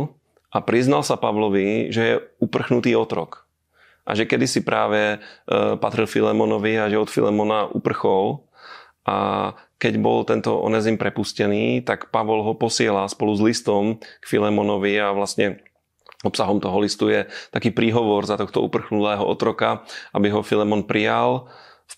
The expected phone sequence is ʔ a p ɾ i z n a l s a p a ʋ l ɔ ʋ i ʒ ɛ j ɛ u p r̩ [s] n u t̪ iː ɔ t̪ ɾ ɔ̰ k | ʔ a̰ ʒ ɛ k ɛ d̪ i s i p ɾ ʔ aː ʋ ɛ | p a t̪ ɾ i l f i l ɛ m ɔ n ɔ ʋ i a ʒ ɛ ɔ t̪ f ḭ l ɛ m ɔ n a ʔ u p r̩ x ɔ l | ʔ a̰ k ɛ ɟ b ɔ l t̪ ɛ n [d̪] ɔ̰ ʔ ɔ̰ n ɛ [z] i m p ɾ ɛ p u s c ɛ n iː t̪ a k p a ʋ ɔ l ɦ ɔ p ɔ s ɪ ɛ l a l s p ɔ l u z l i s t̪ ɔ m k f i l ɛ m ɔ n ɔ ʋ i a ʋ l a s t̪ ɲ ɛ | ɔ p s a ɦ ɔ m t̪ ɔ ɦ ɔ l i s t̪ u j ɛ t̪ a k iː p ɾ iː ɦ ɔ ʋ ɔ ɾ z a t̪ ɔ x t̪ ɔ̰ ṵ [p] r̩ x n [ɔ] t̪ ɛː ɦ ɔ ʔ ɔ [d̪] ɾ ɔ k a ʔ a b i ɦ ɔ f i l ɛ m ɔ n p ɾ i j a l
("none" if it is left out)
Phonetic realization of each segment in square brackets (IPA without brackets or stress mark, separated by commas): x, t̪, z, p, u, t̪